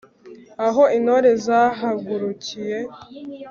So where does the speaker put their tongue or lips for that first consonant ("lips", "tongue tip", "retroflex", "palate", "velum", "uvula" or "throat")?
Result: throat